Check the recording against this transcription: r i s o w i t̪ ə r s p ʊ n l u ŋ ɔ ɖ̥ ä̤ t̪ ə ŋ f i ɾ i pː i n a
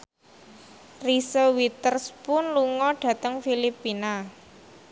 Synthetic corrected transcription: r i s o w i t̪ ə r s p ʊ n l u ŋ ɔ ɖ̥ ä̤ t̪ ə ŋ f i l i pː i n a